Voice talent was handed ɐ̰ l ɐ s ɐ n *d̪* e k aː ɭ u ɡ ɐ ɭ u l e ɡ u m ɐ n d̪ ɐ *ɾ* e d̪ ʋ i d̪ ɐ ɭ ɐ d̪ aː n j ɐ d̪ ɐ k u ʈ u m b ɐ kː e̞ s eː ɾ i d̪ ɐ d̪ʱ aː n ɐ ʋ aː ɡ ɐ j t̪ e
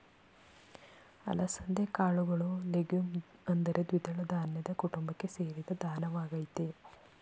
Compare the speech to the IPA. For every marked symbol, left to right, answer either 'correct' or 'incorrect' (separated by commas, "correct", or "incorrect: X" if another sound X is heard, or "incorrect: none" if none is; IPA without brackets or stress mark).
correct, correct